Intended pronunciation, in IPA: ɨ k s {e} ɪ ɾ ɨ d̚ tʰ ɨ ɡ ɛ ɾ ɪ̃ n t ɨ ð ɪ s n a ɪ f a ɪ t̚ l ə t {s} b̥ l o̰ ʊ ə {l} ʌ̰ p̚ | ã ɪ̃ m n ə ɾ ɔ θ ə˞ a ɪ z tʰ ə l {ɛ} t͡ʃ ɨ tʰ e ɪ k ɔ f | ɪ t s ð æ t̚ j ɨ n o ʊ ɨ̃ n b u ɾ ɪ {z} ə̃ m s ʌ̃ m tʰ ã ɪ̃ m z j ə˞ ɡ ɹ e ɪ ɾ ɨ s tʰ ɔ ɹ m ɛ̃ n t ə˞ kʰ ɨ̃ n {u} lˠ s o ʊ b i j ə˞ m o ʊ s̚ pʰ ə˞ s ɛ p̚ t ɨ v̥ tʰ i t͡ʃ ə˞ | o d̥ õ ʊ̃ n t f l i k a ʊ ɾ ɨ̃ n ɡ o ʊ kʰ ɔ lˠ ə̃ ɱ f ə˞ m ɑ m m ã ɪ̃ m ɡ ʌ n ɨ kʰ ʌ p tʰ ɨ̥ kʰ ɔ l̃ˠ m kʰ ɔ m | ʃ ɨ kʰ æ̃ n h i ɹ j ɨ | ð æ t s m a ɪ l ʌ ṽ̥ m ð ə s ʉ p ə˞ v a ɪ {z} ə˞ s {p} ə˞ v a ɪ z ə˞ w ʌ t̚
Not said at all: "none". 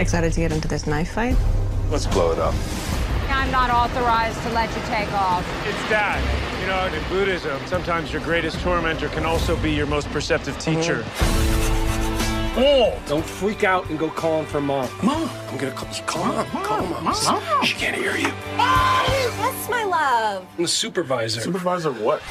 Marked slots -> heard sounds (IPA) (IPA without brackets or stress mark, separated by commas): a, s, ɾ, ɛ, z, ɔ, z, p